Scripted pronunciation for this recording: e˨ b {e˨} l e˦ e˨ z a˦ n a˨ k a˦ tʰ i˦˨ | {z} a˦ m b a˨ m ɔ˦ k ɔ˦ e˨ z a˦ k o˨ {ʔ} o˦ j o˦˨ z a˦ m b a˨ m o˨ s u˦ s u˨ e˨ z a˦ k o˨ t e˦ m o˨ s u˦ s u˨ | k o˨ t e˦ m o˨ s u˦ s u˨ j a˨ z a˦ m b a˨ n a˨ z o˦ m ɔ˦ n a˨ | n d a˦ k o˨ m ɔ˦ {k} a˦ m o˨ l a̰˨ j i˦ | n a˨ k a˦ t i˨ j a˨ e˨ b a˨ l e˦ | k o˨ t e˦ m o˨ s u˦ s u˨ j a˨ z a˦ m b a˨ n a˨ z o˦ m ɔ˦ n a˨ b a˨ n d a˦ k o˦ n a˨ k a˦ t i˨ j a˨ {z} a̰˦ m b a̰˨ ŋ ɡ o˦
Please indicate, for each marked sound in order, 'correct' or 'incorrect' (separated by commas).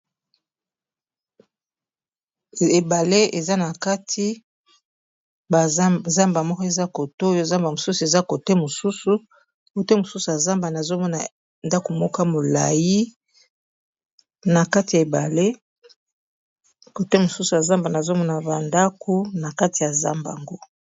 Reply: incorrect, correct, incorrect, correct, correct